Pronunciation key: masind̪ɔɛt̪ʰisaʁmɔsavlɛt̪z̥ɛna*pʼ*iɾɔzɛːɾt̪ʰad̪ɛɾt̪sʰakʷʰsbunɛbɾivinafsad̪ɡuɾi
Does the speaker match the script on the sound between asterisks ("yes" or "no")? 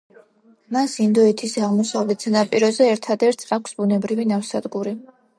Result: yes